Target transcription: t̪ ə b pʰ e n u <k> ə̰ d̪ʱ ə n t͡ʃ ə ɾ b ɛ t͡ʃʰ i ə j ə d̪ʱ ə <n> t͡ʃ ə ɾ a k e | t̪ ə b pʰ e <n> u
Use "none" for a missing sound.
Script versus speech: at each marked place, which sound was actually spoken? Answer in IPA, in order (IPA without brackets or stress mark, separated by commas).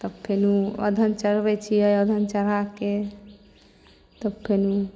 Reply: none, n, n